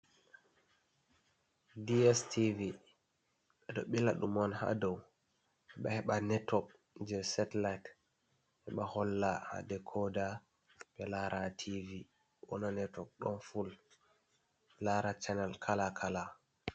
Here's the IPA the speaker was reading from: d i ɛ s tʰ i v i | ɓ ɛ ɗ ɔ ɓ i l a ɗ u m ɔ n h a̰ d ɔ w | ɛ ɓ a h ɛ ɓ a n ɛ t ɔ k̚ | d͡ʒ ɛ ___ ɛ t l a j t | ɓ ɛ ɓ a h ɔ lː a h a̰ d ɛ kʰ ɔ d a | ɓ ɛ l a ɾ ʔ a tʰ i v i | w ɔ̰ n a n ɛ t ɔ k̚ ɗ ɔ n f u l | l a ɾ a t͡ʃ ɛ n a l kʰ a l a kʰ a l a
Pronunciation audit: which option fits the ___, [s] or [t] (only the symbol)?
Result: s